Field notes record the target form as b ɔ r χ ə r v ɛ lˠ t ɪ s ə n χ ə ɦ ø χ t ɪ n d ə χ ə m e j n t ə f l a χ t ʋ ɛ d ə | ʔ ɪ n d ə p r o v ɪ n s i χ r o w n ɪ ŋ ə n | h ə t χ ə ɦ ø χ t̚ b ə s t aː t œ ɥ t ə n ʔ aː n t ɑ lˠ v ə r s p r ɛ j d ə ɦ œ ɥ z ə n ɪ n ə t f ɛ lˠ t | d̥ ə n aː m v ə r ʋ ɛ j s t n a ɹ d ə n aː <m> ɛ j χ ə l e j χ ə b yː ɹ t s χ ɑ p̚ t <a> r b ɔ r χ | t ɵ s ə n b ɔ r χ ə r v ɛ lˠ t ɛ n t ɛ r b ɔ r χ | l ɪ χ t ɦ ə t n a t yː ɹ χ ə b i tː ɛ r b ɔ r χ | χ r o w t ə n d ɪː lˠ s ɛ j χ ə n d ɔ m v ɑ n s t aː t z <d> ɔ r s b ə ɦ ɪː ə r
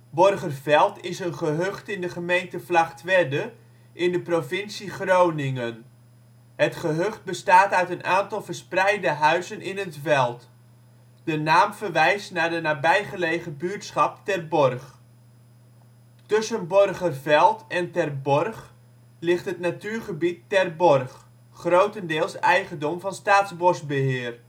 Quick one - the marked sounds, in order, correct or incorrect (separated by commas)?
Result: incorrect, incorrect, incorrect